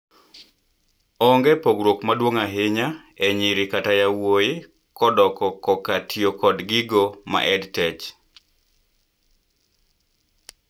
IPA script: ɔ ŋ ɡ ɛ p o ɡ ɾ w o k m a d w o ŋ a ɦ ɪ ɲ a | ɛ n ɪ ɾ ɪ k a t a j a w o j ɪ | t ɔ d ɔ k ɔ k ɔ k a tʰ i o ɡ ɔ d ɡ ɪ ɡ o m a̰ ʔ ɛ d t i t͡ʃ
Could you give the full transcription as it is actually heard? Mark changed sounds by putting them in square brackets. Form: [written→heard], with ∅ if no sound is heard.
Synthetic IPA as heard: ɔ ŋ ɡ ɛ p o ɡ ɾ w o k m a d w o ŋ a ɦ ɪ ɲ a | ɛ [n→ɲ] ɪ ɾ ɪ k a t a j a w o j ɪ | [t→k] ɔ d ɔ k ɔ k ɔ k a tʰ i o [ɡ→k] ɔ d ɡ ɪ ɡ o m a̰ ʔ ɛ d t [i→ɛ] t͡ʃ

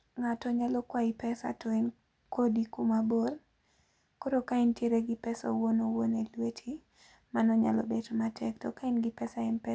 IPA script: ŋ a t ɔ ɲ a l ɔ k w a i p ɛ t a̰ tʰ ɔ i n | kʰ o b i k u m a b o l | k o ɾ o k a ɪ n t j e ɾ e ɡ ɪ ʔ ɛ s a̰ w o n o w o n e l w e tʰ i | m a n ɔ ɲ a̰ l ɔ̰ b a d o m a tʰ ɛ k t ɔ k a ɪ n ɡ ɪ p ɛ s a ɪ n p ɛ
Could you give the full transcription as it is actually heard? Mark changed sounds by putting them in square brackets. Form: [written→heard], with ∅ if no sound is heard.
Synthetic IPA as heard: ŋ a t ɔ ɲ a l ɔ k w a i p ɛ [t→s] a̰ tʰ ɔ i n | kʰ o [b→d] i k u m a b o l | k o ɾ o k a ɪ n t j e ɾ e ɡ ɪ [ʔ→p] ɛ s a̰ w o n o w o n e l w e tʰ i | m a n ɔ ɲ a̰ l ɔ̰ b [a→e] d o m a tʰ ɛ k t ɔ k a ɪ n ɡ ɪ p ɛ s a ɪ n p ɛ

